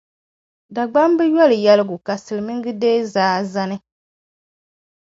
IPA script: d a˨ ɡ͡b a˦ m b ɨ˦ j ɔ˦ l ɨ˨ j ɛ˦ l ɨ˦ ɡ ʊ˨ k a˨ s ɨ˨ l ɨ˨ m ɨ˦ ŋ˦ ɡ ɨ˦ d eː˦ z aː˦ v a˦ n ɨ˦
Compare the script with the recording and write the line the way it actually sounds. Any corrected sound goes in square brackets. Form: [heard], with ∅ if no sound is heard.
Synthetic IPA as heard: d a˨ ɡ͡b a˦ m b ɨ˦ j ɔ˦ l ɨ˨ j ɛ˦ l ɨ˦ ɡ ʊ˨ k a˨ s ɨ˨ l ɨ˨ m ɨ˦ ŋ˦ ɡ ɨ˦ d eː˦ z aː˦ [z] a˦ n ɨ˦